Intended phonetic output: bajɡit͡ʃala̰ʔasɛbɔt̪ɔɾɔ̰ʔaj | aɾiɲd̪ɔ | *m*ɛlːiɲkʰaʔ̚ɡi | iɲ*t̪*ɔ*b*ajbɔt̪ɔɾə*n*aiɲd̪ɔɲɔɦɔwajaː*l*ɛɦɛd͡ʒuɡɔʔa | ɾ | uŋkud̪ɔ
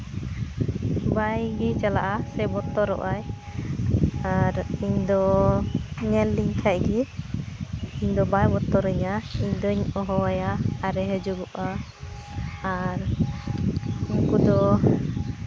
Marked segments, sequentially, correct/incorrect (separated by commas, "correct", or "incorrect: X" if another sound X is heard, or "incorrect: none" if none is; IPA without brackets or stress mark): incorrect: ɲ, incorrect: d̪, correct, incorrect: ɲ, incorrect: ɾ